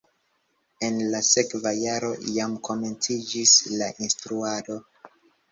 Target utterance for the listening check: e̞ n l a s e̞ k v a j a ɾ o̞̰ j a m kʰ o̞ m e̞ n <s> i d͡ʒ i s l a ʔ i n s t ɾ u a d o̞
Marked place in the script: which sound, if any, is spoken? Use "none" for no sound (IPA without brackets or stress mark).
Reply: t͡s